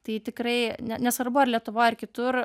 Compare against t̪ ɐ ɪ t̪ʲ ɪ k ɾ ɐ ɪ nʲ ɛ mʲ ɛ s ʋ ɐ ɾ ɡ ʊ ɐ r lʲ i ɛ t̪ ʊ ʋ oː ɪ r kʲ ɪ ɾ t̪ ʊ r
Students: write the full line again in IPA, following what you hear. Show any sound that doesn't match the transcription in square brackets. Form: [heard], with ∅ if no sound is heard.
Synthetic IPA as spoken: t̪ ɐ ɪ t̪ʲ ɪ k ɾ ɐ ɪ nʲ ɛ [nʲ] ɛ s ʋ ɐ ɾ [b] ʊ ɐ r lʲ i ɛ t̪ ʊ ʋ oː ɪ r kʲ ɪ [∅] t̪ ʊ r